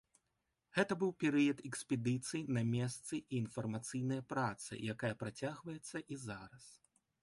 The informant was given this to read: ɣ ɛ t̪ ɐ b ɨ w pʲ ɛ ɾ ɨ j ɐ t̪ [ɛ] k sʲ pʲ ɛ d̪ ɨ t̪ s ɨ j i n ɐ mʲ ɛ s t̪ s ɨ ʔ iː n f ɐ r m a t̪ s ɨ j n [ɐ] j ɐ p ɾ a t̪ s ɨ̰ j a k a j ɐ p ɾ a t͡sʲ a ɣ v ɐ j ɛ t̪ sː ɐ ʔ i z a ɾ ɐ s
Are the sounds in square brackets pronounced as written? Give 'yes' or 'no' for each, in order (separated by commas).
yes, yes